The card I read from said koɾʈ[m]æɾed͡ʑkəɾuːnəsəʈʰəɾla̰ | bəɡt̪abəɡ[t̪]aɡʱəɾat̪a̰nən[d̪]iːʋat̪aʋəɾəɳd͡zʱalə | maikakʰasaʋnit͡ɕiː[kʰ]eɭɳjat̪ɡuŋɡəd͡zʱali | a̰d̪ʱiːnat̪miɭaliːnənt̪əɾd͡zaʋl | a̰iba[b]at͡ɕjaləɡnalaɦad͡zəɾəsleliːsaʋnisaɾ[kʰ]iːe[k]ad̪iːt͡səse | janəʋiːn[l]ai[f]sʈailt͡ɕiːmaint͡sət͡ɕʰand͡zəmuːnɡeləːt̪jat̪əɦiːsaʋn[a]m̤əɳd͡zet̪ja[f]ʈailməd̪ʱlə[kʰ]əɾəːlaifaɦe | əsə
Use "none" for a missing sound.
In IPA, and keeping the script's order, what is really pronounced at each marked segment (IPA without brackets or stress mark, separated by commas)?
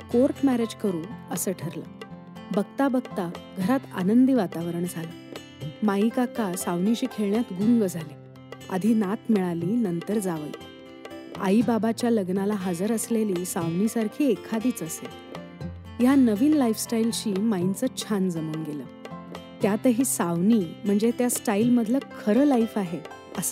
m, t̪, d̪, kʰ, b, kʰ, kʰ, l, f, i, s, kʰ